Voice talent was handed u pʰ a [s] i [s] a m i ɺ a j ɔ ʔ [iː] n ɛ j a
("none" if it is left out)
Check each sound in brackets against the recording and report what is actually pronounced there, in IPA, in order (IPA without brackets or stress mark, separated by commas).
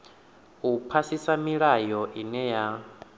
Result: s, s, i